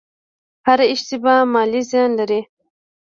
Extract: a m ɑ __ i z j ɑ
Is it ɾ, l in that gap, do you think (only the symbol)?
l